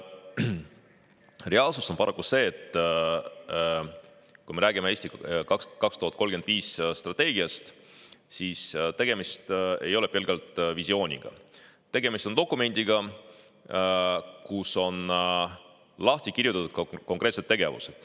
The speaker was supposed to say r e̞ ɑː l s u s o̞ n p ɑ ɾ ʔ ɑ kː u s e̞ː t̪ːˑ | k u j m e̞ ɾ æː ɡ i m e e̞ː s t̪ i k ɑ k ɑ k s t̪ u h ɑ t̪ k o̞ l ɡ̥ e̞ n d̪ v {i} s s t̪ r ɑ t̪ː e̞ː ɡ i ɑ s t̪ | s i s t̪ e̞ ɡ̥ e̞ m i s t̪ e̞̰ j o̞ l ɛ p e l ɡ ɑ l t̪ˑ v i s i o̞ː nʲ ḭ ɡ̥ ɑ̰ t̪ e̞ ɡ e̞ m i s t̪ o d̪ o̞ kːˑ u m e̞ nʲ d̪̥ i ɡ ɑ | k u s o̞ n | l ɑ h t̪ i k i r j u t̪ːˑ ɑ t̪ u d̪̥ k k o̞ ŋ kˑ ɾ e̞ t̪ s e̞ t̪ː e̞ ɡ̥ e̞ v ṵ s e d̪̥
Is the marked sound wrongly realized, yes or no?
yes